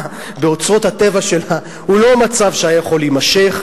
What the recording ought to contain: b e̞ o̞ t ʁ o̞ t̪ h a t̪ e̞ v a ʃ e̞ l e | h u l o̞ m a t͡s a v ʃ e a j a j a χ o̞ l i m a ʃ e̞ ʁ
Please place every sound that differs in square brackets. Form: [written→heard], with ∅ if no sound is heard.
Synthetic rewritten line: b e̞ o̞ [t→t͡s] ʁ o̞ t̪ h a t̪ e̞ v a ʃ e̞ l [e→a] | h u l o̞ m a t͡s a v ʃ e a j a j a χ o̞ l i m a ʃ e̞ [ʁ→χ]